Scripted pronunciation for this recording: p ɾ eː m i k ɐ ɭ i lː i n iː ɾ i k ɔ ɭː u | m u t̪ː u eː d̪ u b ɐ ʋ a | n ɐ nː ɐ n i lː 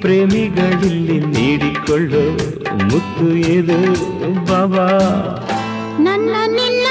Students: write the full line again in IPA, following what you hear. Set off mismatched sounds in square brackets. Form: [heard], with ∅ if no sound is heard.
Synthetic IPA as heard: p ɾ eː m i [ɡ] ɐ ɭ i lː i n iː [ɽ] i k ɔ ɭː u | m u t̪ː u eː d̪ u b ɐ ʋ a | n ɐ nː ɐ n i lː